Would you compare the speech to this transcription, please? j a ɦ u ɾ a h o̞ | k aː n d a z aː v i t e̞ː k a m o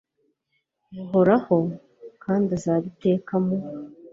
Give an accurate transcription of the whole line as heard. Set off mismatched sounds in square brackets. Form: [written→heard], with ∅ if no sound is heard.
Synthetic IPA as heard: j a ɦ [u→o] ɾ a h o̞ | k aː n d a z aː [v→β] i t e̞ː k a m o